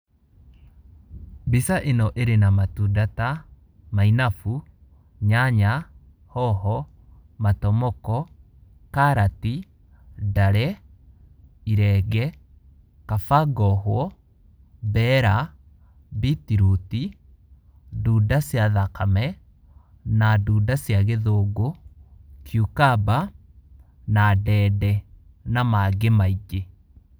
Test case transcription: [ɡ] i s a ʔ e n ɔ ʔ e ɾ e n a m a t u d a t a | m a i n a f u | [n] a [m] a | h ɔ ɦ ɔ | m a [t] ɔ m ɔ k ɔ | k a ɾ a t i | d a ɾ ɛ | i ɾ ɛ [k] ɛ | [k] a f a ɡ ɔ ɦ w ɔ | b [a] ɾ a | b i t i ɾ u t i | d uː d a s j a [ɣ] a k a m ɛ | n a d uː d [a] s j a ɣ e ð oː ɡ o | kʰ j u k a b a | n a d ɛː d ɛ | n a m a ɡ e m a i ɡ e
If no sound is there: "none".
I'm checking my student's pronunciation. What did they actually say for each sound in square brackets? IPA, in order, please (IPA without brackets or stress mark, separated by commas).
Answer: b, ɲ, ɲ, t, ɡ, k, ɛ, ð, a